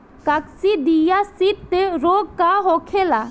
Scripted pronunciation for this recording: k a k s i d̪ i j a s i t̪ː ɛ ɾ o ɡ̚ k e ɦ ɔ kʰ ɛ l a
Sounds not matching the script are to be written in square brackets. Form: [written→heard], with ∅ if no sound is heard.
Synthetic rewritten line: k a k s i d̪ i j a s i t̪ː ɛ ɾ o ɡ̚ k [e→a] ɦ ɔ kʰ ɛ l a